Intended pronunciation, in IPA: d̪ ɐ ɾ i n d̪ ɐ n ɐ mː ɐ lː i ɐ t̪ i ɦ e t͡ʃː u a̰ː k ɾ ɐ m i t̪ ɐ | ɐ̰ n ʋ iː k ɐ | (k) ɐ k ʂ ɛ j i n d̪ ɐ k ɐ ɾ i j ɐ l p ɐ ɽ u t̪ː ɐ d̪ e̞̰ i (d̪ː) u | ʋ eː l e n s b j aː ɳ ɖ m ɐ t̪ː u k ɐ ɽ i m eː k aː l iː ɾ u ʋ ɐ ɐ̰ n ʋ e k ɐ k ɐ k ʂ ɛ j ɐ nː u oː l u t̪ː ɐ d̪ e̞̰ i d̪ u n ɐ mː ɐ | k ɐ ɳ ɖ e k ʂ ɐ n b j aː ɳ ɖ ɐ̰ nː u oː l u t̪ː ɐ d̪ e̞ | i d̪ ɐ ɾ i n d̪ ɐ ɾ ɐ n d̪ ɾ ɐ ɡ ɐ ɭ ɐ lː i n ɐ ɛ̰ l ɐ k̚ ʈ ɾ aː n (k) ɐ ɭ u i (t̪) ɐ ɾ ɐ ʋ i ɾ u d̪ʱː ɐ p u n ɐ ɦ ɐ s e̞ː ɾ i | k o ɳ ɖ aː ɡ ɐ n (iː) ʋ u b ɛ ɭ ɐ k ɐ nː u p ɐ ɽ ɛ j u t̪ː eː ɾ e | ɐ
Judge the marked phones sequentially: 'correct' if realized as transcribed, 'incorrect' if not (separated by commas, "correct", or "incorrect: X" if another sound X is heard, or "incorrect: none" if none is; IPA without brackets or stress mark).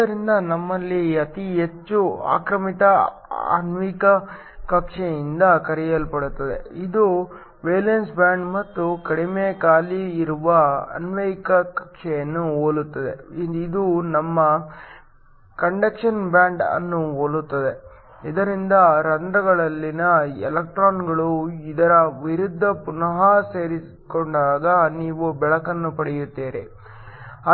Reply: correct, incorrect: d̪, incorrect: ɡ, incorrect: d̪, correct